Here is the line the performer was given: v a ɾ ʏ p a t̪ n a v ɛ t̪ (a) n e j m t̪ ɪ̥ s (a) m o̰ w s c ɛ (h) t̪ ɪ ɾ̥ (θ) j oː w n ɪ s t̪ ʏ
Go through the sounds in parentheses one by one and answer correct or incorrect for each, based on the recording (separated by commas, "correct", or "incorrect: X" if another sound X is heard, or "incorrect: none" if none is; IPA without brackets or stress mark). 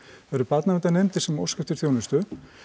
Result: correct, incorrect: ɛ, incorrect: f, correct